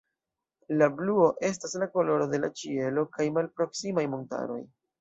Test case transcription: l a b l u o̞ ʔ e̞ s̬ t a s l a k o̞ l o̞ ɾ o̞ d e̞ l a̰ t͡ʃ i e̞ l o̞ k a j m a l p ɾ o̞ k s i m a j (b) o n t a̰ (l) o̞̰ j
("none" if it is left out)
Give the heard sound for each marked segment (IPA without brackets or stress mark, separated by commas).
m, ɾ